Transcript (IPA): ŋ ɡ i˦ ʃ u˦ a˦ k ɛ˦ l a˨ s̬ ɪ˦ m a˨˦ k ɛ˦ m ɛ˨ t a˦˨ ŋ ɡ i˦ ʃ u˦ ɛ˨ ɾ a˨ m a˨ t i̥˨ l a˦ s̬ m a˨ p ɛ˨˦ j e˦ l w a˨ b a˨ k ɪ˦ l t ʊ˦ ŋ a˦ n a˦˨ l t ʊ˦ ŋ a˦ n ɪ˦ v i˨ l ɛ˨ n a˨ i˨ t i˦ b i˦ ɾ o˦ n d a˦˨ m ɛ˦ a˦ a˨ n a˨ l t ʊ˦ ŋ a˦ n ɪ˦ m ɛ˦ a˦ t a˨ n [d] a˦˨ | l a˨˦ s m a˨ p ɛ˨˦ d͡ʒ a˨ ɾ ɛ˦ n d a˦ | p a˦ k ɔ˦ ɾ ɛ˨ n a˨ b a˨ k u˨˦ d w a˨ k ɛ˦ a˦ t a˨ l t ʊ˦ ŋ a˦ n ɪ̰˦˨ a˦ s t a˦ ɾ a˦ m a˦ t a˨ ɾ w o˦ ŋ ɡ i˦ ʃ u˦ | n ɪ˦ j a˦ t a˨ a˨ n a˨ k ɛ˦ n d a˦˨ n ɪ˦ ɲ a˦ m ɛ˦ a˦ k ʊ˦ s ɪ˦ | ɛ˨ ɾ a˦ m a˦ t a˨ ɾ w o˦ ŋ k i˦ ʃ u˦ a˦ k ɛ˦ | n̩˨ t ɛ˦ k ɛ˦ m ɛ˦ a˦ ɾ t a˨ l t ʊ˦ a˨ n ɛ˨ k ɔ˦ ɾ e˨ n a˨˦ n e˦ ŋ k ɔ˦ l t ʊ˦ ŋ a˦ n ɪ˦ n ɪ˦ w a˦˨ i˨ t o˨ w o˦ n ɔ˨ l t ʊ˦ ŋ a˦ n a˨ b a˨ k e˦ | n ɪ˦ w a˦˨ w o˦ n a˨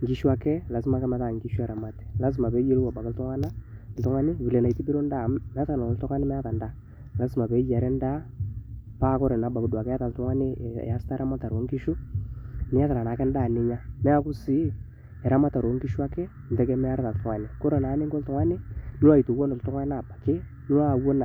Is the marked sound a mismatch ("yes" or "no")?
no